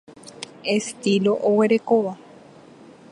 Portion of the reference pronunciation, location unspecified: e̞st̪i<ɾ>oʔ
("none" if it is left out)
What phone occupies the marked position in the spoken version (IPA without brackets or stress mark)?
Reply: l